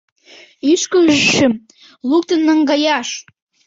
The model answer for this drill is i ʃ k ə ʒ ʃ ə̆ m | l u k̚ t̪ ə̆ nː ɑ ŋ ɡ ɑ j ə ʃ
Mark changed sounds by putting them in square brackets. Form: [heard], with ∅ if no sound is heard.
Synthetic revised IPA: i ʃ k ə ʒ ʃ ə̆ m | l u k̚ t̪ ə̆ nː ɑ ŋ ɡ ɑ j [ɑ] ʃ